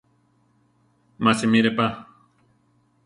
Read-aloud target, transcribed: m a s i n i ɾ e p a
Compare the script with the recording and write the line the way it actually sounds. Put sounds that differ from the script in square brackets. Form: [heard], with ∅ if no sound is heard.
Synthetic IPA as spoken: m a s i [m] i ɾ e p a